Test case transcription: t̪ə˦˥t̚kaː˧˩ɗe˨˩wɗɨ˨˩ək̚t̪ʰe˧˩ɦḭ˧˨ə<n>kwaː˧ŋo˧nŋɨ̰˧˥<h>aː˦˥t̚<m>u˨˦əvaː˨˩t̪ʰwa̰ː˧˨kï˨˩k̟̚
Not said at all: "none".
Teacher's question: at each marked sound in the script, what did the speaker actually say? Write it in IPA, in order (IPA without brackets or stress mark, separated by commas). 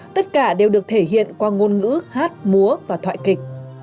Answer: n, h, m